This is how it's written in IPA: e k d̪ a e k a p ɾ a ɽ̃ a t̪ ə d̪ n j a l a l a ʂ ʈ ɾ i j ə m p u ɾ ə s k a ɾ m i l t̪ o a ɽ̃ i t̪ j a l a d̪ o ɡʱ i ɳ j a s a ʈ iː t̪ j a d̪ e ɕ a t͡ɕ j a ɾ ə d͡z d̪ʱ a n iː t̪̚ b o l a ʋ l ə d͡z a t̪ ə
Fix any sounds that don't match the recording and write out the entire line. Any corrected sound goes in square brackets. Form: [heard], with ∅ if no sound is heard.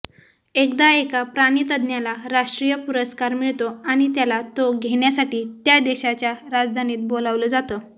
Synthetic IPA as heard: e k d̪ a e k a p ɾ a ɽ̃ [i] t̪ ə d̪ n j a l a [ɾ] a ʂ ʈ ɾ i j ə [∅] p u ɾ ə s k a ɾ m i [ɭ] t̪ o a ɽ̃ i t̪ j a l a [t̪] o ɡʱ [e] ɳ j a s a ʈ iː t̪ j a d̪ e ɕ a t͡ɕ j a ɾ [a] d͡z d̪ʱ a n iː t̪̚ b o l a ʋ l ə d͡z a t̪ ə